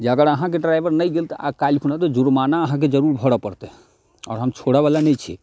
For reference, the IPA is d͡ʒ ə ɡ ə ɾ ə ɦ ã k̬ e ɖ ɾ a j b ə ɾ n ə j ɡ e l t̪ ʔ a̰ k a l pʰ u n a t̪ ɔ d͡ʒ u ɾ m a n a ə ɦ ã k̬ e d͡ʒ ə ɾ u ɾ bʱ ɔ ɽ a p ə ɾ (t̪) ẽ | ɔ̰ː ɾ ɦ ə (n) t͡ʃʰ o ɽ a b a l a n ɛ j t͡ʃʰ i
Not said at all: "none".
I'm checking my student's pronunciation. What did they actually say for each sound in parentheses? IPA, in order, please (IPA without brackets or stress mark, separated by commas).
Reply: t̪, m